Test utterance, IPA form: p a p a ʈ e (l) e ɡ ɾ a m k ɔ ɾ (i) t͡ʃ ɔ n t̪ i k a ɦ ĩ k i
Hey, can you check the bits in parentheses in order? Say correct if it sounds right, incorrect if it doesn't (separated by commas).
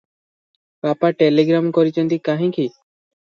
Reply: correct, correct